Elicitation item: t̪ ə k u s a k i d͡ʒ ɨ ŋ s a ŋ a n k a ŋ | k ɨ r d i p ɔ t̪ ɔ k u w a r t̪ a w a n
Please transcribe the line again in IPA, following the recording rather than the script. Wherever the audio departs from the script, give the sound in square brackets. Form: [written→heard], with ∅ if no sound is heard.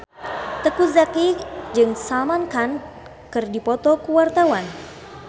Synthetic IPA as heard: t̪ ə k u [s→z] a k i d͡ʒ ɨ ŋ s a [ŋ→m] a n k a [ŋ→n] | k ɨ r d i p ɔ t̪ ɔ k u w a r t̪ a w a n

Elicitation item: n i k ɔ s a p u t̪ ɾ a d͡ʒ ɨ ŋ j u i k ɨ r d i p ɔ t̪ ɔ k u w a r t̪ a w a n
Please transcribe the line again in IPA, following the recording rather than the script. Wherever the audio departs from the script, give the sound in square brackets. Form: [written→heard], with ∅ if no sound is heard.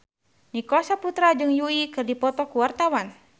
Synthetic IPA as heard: n i k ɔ s a p u t̪ ɾ a d͡ʒ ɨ ŋ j u i k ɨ r d i p ɔ t̪ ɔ k u w a r t̪ a w a n

